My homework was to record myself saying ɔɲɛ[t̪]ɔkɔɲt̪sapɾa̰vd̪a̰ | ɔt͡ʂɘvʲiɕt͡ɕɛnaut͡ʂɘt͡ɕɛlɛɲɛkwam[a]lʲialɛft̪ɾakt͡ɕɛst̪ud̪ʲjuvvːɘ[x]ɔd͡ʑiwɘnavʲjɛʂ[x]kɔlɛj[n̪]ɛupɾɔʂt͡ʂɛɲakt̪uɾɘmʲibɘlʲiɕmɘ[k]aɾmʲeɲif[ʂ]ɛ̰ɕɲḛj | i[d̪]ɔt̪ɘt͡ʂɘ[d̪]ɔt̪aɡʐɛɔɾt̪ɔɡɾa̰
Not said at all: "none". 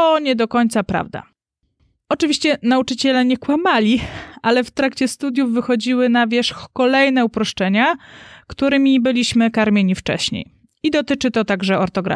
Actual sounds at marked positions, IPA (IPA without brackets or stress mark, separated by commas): d̪, a, x, x, n̪, k, t͡ʂ, d̪, t̪